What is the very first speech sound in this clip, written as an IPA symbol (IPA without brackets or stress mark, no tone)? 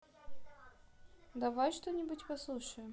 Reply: d̪